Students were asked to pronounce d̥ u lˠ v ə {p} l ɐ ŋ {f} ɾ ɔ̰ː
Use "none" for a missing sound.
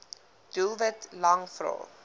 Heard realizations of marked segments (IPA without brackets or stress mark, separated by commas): t, f